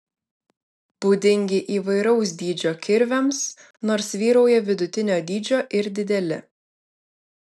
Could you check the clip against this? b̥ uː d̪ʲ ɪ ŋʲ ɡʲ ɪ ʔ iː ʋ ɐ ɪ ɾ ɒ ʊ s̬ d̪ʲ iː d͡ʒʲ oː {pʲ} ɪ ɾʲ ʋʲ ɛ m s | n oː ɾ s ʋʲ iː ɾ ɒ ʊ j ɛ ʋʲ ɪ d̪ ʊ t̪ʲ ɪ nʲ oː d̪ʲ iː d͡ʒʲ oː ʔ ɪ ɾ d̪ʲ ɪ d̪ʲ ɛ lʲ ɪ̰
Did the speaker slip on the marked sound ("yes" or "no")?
yes